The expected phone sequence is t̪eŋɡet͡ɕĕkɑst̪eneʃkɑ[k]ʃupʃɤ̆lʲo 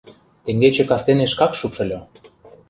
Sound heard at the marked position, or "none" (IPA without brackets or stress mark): k